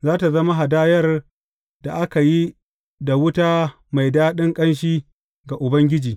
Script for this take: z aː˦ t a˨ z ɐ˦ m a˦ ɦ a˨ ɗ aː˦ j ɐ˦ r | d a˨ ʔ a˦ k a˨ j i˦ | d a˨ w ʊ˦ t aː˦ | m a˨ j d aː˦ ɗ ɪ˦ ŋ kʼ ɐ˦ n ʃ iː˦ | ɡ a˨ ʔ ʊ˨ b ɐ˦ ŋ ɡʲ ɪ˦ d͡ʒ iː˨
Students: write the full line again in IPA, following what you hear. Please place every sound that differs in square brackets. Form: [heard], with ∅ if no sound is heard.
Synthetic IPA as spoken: z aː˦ t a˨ z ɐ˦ m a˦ ɦ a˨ [d] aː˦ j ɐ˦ r | d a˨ ʔ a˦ k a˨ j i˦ | d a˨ w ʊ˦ t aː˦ | m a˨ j d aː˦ ɗ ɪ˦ ŋ kʼ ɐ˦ n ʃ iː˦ | ɡ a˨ ʔ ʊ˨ b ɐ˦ ŋ ɡʲ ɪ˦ d͡ʒ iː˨